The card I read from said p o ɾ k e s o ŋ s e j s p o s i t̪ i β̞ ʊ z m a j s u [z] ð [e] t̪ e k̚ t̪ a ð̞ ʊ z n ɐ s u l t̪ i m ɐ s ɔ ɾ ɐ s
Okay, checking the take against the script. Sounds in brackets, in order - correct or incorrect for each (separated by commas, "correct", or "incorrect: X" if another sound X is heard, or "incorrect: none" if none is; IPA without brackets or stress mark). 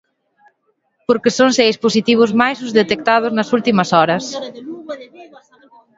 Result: correct, correct